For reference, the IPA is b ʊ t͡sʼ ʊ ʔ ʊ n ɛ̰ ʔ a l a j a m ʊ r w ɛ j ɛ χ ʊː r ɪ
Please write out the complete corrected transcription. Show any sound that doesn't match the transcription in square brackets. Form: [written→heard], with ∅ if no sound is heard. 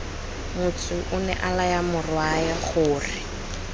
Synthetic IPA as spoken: [b→m] ʊ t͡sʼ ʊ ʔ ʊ n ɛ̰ ʔ a l a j a m ʊ r w [ɛ→a] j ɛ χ ʊː r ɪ